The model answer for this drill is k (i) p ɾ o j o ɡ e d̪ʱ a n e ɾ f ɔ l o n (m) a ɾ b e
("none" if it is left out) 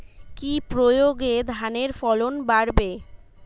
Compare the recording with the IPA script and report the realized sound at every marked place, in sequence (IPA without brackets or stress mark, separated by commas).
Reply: i, b